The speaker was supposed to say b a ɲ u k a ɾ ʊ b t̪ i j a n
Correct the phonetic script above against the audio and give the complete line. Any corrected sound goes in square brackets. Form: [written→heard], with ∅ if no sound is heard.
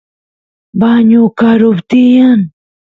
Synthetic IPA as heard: b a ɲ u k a ɾ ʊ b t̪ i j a n